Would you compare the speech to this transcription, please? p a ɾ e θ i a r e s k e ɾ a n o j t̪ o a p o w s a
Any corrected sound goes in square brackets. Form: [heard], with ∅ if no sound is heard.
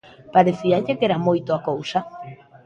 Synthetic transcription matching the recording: p a ɾ e θ i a [ʎ] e [∅] k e ɾ a [m] o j t̪ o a [k] o w s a